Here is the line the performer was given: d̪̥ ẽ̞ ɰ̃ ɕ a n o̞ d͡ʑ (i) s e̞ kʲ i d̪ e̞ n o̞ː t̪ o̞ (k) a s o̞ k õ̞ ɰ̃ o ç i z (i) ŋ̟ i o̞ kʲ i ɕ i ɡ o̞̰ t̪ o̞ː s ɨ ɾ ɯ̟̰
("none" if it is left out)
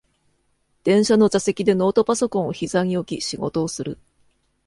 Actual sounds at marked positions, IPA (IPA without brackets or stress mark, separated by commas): a, p, a